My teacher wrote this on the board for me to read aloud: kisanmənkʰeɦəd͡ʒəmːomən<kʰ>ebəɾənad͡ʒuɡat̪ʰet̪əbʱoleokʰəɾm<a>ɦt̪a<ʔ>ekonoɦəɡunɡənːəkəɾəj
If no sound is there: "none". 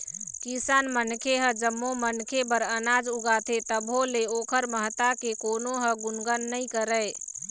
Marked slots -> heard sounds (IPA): kʰ, ə, k

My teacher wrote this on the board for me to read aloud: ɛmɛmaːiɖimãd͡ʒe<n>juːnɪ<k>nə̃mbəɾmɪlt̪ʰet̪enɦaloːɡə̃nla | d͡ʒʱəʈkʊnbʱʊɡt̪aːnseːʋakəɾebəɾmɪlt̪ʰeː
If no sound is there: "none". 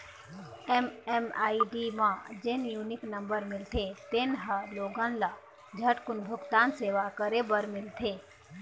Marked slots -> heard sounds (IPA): n, k

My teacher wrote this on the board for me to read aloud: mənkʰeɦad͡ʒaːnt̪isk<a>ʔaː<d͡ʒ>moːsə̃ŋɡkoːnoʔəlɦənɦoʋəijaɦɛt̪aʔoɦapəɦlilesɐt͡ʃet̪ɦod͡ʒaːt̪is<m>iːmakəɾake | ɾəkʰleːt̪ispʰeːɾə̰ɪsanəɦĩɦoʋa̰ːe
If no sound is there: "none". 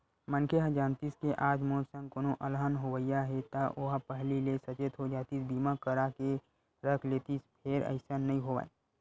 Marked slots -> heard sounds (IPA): e, d͡ʒ, b

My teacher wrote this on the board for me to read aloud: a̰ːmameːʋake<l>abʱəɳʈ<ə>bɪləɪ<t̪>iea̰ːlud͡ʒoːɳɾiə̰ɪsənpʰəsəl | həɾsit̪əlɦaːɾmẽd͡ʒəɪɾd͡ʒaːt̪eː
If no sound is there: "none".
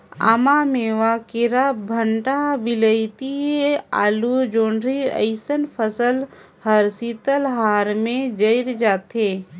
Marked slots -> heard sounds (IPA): ɾ, a, t̪

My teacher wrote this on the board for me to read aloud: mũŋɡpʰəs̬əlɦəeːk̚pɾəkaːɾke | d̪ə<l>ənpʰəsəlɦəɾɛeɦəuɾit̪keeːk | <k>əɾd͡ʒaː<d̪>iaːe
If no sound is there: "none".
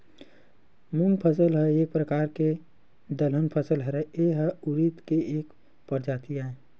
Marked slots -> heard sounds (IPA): l, p, t̪

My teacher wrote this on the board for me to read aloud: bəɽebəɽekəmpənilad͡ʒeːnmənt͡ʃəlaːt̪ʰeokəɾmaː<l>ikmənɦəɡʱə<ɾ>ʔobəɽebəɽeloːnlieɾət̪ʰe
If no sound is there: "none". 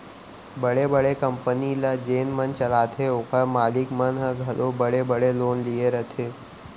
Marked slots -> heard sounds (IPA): l, l

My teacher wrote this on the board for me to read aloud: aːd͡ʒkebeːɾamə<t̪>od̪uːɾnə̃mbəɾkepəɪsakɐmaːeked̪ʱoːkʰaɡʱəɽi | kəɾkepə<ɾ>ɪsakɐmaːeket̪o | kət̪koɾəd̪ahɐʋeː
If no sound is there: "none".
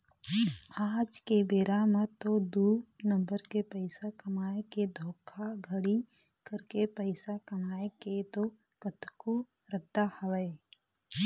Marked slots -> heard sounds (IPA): t̪, none

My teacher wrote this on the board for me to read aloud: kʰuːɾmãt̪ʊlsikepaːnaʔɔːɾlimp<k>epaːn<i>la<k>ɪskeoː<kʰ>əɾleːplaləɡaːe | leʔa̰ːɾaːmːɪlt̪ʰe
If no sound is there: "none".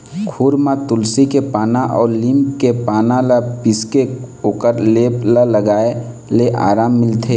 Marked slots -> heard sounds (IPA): k, a, p, k

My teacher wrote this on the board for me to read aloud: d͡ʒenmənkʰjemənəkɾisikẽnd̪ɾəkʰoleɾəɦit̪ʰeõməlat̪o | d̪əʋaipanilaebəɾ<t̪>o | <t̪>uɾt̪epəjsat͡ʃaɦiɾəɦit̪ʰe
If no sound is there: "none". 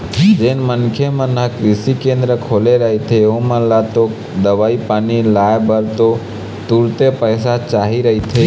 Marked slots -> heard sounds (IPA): t̪, t̪

